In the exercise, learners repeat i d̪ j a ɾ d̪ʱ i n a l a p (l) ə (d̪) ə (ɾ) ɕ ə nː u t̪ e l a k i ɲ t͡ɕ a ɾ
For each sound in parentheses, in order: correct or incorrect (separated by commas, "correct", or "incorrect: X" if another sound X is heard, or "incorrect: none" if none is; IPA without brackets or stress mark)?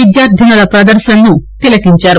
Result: incorrect: ɾ, correct, correct